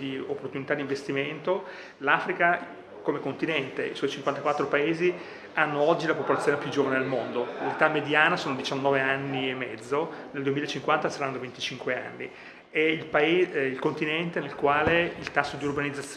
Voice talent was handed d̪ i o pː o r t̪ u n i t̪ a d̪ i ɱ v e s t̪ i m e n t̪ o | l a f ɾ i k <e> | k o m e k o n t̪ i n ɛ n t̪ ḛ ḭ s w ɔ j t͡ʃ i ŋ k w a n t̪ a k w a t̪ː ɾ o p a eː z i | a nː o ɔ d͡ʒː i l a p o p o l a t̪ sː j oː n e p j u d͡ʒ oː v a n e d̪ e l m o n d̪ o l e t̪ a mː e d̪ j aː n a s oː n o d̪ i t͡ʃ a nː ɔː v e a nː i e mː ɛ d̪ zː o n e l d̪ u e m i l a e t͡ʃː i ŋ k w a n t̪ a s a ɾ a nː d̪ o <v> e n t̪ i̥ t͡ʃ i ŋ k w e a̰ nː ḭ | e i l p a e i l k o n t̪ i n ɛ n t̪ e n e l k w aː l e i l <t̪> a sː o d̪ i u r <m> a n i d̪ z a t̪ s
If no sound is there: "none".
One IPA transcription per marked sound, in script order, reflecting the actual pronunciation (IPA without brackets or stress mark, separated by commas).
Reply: a, v, t̪, b